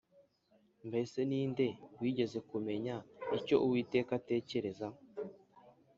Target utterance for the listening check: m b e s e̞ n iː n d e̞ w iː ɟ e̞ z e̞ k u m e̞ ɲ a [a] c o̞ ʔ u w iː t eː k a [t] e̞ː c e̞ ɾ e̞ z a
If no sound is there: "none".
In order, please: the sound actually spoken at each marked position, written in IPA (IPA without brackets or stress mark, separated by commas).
i, t